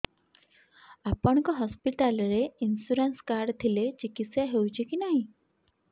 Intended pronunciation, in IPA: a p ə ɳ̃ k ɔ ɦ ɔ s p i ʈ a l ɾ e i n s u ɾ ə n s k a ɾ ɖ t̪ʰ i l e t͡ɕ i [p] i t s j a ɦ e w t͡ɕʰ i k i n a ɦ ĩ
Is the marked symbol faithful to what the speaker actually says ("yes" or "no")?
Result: no